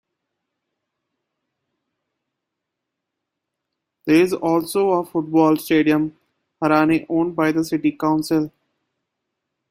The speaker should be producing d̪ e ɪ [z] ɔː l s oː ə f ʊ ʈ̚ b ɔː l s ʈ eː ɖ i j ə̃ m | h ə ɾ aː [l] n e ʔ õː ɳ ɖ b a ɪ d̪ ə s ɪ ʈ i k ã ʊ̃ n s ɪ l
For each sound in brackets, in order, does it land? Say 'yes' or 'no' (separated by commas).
yes, no